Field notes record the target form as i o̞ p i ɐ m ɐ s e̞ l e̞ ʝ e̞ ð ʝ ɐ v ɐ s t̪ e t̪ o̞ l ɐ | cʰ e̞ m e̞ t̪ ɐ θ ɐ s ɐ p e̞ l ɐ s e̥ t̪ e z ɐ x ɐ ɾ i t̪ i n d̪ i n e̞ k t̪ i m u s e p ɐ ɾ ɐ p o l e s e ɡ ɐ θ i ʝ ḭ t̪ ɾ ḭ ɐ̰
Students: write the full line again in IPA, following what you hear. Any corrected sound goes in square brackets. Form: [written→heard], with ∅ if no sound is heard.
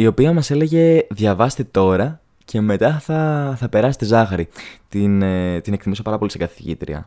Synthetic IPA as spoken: i o̞ p i ɐ m ɐ s e̞ l e̞ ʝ e̞ ð ʝ ɐ v ɐ s t̪ e t̪ o̞ [l→ɾ] ɐ | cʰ e̞ m e̞ t̪ ɐ θ ɐ [s→θ] ɐ p e̞ [l→ɾ] ɐ s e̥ t̪ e z ɐ x ɐ ɾ i t̪ i n [d̪→t̪] i n e̞ k t̪ i m u s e p ɐ ɾ ɐ p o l [e→i] s e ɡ ɐ θ i ʝ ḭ t̪ ɾ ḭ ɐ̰